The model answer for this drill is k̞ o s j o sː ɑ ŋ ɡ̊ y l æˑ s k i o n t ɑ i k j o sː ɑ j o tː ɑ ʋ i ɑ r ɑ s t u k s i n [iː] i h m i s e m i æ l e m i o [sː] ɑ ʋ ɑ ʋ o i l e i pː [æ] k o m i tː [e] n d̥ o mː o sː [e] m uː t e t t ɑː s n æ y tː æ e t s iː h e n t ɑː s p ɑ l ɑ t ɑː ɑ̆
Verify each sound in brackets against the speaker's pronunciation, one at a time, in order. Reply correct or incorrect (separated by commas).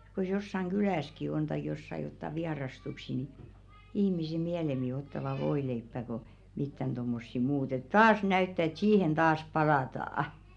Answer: incorrect, incorrect, correct, incorrect, incorrect